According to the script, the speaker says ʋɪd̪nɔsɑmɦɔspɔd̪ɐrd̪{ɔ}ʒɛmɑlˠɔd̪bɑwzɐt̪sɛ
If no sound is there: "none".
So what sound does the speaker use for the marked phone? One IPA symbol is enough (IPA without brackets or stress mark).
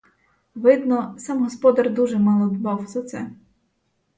u